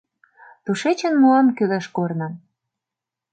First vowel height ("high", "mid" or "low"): high